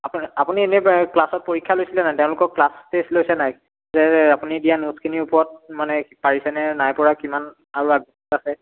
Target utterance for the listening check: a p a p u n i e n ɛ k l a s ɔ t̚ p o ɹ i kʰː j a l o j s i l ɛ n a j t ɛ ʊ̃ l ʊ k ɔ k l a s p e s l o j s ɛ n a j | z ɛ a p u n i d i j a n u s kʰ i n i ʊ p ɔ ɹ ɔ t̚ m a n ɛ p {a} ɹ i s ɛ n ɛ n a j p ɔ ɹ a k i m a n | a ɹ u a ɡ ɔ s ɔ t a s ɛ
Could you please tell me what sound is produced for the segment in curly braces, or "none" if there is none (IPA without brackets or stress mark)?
a